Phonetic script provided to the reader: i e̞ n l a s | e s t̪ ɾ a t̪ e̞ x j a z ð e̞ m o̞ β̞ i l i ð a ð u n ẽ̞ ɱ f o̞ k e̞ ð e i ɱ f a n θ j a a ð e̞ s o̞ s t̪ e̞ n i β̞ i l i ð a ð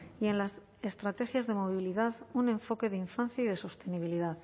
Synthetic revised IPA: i e̞ n l a s | e s t̪ ɾ a t̪ e̞ x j a z ð e̞ m o̞ β̞ i l i ð a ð u n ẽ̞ ɱ f o̞ k e̞ ð e i ɱ f a n θ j a i ð e̞ s o̞ s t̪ e̞ n i β̞ i l i ð a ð